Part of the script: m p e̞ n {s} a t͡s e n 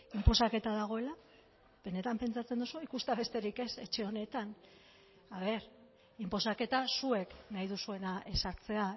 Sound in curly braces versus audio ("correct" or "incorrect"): incorrect